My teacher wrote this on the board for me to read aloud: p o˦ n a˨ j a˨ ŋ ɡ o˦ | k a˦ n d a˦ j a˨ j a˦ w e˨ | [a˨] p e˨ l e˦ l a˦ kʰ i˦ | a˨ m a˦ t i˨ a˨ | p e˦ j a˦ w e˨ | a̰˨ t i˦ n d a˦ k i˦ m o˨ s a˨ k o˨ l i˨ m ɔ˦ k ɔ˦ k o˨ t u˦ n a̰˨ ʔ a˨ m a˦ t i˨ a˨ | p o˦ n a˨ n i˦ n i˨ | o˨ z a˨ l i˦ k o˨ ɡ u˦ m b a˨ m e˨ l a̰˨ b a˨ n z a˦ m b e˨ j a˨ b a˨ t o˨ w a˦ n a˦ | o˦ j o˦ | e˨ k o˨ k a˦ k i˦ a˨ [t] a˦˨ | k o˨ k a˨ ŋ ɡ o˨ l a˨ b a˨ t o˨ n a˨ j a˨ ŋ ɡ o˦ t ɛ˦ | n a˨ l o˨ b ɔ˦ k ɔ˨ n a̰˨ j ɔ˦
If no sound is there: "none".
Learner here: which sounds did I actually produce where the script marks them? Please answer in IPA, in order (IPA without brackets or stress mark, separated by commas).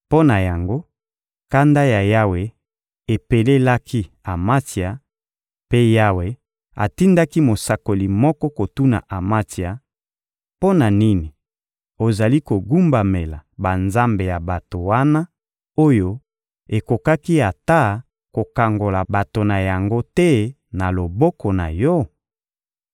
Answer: e˨, t